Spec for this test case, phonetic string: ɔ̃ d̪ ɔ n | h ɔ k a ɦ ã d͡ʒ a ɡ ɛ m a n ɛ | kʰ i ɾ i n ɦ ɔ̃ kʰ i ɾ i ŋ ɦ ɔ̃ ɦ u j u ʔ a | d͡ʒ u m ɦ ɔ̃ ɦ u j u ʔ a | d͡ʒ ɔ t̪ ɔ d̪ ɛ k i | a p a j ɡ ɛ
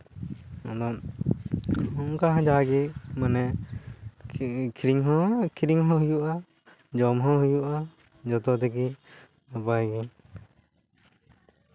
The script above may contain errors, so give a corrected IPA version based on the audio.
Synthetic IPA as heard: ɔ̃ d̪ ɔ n | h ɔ k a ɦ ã d͡ʒ a ɡ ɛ m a n ɛ | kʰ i ɾ i ŋ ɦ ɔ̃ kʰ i ɾ i ŋ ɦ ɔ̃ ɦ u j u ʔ a | d͡ʒ ɔ m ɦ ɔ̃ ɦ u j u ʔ a | d͡ʒ ɔ t̪ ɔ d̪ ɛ k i | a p a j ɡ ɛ